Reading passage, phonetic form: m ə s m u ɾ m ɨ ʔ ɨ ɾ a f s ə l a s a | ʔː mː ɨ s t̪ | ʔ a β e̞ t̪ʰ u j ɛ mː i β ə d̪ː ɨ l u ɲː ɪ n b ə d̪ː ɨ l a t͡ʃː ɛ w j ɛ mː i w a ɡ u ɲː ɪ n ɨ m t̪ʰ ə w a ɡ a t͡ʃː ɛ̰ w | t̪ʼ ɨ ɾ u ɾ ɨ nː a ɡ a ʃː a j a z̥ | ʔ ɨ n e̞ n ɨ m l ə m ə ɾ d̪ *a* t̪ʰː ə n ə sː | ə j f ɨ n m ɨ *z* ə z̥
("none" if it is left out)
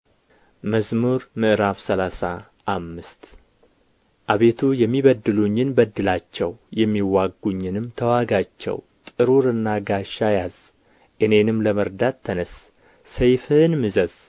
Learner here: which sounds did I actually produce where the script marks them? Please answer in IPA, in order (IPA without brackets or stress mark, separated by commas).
a, z